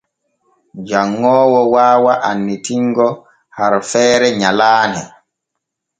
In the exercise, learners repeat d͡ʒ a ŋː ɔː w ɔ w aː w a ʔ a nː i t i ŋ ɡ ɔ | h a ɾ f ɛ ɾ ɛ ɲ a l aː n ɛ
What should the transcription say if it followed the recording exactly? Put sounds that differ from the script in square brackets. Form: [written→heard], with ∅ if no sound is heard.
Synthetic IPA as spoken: d͡ʒ a ŋː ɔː w ɔ w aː w a ʔ a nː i t i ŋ ɡ ɔ | h a ɾ f [ɛ→ɛː] ɾ ɛ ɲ a l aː n ɛ

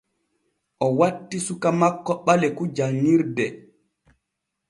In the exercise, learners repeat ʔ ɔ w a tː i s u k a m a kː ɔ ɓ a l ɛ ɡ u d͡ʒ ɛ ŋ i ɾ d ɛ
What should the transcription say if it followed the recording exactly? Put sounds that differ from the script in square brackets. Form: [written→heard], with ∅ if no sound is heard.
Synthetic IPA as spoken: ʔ ɔ w a tː i s u k a m a kː ɔ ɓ a l ɛ [ɡ→k] u d͡ʒ [ɛ→a] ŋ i ɾ d ɛ

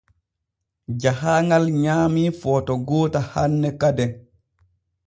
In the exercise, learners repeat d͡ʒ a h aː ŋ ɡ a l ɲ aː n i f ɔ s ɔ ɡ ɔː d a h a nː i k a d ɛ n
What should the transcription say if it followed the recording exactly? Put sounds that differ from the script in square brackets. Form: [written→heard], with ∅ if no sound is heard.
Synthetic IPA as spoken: d͡ʒ a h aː ŋ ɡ a l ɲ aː [n→m] i f ɔ [s→t] ɔ ɡ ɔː [d→t] a h a nː [i→ɛ] k a d ɛ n

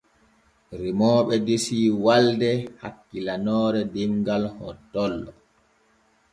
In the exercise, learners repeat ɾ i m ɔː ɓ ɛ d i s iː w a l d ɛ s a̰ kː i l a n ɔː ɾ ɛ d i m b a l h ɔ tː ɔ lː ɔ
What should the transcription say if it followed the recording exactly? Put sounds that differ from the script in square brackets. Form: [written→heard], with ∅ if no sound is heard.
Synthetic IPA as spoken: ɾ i m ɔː ɓ ɛ d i s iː w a l d ɛ [s→h] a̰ kː i l a n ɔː ɾ ɛ d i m [b→ɡ] a l h ɔ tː ɔ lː ɔ

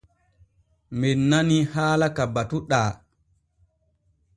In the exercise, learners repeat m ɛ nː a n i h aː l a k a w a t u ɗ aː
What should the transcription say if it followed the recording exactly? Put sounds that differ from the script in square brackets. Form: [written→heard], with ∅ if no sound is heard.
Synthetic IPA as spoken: m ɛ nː a n i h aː l a k a [w→b] a t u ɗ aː

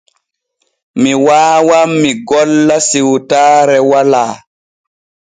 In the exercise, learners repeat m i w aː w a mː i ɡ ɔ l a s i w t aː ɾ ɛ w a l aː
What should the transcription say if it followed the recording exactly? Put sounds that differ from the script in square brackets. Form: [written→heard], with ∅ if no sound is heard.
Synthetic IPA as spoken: m i w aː w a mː i ɡ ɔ [l→lː] a s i w t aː ɾ ɛ w a l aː

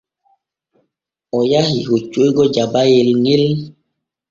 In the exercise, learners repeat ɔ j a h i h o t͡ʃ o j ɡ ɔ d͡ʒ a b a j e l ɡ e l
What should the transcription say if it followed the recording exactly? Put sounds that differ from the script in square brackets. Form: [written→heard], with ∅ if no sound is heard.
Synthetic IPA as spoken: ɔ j a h i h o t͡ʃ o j ɡ ɔ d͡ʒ a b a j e l [ɡ→ŋ] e l

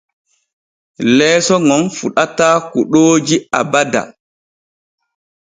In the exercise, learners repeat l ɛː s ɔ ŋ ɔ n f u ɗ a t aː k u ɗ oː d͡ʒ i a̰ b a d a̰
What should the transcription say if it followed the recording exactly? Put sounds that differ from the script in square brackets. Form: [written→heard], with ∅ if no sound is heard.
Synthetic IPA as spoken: l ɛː s ɔ ŋ ɔ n f u ɗ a t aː k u ɗ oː d͡ʒ i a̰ b a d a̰

